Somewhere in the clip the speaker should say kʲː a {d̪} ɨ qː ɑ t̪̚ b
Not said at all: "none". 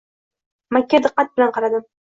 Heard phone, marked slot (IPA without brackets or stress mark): d̪